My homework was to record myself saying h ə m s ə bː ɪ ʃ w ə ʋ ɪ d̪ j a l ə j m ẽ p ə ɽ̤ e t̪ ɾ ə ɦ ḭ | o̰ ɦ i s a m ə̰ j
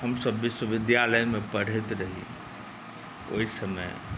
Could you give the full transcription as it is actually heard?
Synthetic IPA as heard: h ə m s ə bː ɪ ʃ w ə ʋ ɪ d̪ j a l ə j m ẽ p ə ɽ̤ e t̪ ɾ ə ɦ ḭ | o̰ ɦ i s ə m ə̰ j